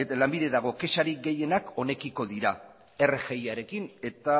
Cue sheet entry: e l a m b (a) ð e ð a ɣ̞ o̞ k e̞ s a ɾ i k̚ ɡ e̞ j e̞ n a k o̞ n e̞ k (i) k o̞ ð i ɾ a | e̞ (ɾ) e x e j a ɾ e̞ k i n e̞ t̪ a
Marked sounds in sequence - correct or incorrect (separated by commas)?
incorrect, correct, incorrect